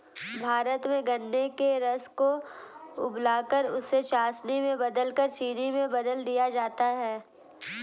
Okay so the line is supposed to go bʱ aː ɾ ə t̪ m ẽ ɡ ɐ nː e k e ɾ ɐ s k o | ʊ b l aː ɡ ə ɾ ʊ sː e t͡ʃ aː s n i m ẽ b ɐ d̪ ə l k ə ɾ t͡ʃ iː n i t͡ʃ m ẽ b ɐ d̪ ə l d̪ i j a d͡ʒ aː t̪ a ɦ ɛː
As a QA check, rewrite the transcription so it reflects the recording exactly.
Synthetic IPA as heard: bʱ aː ɾ ə t̪ m ẽ ɡ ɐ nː e k e ɾ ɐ s k o | ʊ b l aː k ə ɾ ʊ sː e t͡ʃ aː s n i m ẽ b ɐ d̪ ə l k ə ɾ t͡ʃ iː n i m ẽ b ɐ d̪ ə l d̪ i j a d͡ʒ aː t̪ a ɦ ɛː